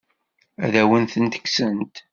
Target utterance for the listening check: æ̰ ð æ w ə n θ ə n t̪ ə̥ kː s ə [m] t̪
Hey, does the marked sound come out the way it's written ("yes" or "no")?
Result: no